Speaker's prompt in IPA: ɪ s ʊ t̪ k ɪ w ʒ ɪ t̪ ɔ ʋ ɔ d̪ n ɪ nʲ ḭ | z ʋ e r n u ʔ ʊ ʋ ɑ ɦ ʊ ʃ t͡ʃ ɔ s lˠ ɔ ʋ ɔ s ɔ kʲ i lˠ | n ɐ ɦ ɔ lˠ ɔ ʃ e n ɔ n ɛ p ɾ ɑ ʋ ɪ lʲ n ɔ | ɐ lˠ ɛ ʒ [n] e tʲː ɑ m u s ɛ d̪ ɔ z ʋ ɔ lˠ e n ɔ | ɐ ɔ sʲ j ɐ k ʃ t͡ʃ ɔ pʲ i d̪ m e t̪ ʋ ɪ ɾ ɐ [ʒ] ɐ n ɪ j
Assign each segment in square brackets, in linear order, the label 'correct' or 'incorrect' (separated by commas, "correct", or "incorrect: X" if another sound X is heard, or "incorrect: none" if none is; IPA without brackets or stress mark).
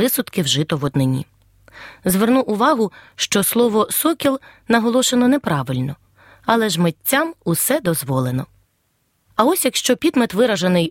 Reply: incorrect: m, correct